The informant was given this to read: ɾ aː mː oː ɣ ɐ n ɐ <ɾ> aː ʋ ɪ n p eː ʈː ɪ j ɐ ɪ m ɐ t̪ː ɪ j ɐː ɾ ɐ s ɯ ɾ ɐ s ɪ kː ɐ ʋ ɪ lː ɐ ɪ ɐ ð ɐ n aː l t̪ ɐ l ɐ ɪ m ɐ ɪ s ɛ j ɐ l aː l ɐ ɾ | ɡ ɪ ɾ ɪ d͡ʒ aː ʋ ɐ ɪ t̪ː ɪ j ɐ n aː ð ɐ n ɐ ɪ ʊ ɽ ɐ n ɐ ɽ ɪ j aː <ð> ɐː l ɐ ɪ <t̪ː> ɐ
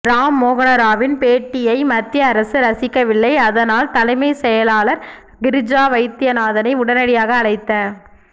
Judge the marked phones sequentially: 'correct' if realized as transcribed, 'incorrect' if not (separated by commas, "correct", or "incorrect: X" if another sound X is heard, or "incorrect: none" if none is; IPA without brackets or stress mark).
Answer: correct, incorrect: ɣ, correct